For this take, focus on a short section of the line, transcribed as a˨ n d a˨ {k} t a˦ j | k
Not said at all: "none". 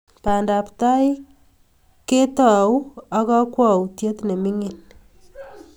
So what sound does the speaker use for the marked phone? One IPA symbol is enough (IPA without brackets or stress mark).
p